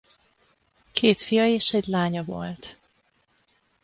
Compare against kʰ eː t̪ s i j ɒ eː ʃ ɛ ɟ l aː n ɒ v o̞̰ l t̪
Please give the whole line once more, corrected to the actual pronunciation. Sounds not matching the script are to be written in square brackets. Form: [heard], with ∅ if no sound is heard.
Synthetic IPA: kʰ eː t̪ [f] i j ɒ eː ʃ ɛ ɟ l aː [ɲ] ɒ v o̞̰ l t̪